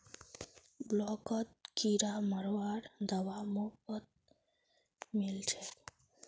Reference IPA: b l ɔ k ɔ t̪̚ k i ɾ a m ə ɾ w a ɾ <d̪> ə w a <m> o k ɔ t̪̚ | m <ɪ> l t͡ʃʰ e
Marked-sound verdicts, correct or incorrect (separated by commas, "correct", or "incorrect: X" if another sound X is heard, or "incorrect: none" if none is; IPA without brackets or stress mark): correct, correct, incorrect: i